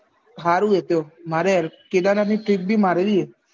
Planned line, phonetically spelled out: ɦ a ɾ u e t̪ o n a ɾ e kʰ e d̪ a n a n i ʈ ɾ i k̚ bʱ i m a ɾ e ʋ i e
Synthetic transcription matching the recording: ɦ a ɾ u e t̪ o m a ɾ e k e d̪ a n a n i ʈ ɾ i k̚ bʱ i m a ɾ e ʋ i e